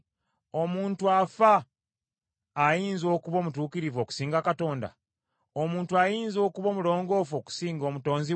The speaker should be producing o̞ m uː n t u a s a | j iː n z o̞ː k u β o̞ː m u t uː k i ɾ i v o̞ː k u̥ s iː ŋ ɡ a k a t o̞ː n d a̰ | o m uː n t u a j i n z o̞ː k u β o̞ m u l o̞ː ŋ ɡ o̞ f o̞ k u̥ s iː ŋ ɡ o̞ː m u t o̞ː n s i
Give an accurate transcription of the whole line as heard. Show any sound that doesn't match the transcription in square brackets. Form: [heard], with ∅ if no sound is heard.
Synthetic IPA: o̞ m uː n t u a [f] a | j iː n z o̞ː k u β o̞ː m u t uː k i ɾ i v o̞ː k u̥ s iː ŋ ɡ a k a t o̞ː n d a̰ | o m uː n t u a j [iː] n z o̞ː k u β o̞ m u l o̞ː ŋ ɡ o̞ f o̞ k u̥ s iː ŋ ɡ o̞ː m u t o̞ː n [z] i